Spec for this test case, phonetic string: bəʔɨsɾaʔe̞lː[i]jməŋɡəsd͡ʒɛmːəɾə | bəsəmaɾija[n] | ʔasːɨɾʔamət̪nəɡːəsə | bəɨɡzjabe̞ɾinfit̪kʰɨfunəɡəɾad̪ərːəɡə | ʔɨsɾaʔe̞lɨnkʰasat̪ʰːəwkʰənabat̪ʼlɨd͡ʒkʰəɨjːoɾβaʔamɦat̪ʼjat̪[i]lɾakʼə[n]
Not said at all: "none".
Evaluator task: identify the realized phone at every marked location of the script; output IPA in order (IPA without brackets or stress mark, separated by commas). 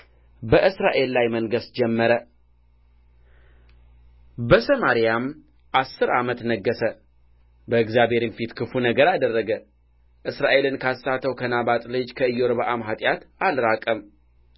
a, m, a, m